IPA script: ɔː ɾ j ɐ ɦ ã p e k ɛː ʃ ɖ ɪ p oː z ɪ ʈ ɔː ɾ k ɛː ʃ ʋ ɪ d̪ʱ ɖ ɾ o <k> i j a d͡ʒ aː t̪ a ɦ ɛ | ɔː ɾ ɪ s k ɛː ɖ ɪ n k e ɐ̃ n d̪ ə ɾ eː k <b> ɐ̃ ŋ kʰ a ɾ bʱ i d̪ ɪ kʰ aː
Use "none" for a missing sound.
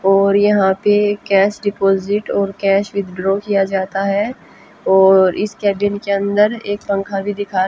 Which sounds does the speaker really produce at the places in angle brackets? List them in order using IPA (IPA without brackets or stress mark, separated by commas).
k, p